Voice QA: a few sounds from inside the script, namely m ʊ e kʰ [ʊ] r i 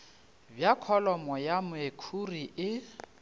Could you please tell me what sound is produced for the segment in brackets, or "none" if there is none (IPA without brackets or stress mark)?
u